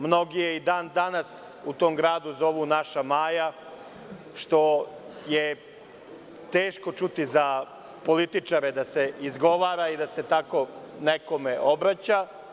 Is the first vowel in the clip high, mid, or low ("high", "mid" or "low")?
mid